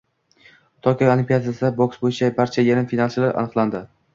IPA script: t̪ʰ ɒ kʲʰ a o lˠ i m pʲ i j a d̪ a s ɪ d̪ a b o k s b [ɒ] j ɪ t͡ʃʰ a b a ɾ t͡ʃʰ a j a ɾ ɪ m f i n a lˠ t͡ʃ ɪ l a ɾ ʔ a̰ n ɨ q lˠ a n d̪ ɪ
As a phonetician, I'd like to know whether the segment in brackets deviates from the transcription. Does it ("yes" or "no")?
yes